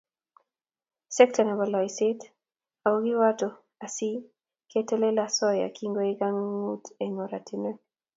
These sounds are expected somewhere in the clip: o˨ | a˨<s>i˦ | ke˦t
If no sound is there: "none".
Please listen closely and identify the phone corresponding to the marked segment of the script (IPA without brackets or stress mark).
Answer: s